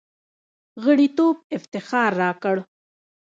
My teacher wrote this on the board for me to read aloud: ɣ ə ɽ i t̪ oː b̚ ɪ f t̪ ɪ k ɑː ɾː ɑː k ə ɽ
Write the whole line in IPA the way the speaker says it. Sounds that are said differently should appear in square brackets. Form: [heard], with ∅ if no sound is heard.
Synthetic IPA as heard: ɣ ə ɽ i t̪ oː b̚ ɪ f t̪ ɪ [x] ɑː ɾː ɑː k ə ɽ